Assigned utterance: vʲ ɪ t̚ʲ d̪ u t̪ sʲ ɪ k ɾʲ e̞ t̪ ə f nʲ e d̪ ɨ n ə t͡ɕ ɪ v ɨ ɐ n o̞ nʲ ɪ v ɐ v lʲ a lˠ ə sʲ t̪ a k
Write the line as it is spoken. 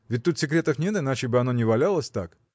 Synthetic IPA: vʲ ɪ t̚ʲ t̪ u t̪ sʲ ɪ k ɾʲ e̞ t̪ ə f nʲ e t̪ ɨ n a t͡ɕ ɪ b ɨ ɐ n o̞ nʲ ɪ v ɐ lʲ a lˠ ə sʲ t̪ a k